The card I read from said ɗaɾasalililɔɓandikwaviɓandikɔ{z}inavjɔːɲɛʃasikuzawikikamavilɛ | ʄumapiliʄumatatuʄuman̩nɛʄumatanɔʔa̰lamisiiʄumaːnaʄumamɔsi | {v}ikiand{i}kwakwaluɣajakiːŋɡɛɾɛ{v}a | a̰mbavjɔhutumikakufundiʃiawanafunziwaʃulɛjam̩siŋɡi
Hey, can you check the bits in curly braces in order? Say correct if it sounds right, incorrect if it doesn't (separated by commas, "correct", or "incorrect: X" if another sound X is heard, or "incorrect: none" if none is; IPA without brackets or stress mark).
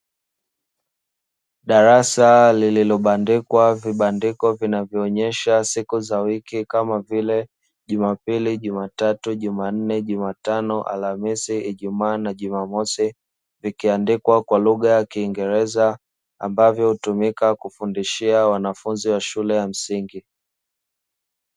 incorrect: v, correct, correct, incorrect: z